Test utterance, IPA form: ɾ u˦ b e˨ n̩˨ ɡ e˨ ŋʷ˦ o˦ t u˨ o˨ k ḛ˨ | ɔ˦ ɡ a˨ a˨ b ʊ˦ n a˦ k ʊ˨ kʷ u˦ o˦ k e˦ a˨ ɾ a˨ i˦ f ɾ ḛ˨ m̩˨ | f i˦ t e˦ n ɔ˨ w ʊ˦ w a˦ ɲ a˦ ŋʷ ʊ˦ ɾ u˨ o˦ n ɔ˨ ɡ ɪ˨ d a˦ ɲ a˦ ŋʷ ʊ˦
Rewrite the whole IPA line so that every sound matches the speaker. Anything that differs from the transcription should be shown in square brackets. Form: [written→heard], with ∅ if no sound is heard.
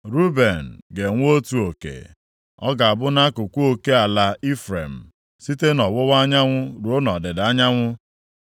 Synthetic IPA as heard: ɾ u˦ b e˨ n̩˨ ɡ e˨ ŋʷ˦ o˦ t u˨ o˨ k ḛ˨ | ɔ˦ ɡ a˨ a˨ b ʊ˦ n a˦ k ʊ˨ kʷ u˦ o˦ k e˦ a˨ [ɾ→l] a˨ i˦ f ɾ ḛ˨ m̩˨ | [f→s] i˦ t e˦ n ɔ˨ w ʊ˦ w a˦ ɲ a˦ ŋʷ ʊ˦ ɾ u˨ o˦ n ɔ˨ [ɡ→d] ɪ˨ d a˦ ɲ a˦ ŋʷ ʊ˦